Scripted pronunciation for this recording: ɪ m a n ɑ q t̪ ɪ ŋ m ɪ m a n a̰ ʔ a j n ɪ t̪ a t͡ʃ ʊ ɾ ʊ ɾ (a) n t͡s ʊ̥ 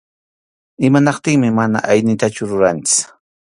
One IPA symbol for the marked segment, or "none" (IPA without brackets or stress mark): a